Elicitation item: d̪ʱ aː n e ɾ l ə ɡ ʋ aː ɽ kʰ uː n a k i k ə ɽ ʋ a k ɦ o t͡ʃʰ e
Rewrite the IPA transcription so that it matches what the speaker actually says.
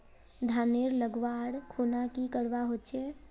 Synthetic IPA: d̪ʱ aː n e ɾ l ə ɡ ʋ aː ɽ kʰ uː n a k i k ə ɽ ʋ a ɦ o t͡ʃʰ e